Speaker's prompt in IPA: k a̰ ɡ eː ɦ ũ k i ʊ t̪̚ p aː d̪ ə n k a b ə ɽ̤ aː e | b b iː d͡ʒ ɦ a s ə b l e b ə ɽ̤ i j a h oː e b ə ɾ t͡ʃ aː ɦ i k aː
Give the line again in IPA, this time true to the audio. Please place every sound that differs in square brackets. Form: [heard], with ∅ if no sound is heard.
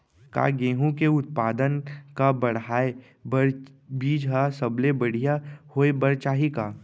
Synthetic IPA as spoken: k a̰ ɡ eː ɦ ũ k [e] ʊ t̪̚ p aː d̪ ə n k a b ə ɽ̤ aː e | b b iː d͡ʒ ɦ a s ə b l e b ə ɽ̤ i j a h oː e b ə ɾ t͡ʃ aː ɦ i k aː